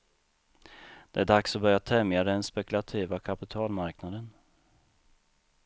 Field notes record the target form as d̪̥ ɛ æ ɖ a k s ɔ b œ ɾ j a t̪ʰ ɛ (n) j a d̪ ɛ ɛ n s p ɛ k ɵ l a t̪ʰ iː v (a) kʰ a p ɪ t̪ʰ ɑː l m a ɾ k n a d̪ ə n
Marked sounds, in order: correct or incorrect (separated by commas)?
incorrect, correct